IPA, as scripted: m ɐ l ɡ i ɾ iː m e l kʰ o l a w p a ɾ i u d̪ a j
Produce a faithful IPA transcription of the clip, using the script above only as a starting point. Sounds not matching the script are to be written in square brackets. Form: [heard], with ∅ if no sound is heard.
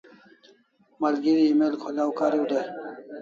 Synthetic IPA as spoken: m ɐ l ɡ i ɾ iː m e l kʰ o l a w [k] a ɾ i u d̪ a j